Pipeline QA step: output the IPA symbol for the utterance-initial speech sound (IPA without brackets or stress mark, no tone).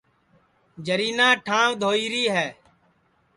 d͡ʒ